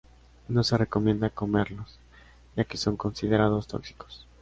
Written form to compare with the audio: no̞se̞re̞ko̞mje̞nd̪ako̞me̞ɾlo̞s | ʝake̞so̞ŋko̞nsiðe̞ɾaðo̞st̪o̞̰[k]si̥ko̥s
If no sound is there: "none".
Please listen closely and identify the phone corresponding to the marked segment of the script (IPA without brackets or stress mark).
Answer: k